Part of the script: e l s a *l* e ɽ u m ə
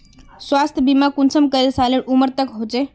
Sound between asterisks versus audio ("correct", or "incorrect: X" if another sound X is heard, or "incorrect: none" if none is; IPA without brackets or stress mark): correct